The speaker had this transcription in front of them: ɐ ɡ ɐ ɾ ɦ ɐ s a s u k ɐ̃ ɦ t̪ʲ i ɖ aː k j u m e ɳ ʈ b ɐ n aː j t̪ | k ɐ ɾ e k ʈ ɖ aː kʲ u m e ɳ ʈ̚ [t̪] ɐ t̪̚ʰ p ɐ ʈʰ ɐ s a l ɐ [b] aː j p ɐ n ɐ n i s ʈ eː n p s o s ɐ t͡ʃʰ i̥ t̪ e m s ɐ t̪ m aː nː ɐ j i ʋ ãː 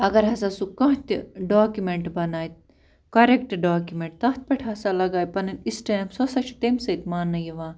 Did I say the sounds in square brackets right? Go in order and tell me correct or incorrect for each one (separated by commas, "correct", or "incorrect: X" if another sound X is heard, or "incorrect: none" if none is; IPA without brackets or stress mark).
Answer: correct, incorrect: ɡ